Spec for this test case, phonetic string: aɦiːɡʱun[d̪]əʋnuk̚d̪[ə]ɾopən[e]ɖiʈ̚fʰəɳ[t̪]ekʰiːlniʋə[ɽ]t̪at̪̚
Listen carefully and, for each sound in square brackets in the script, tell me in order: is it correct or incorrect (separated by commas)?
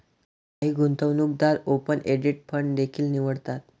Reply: incorrect, incorrect, correct, incorrect, correct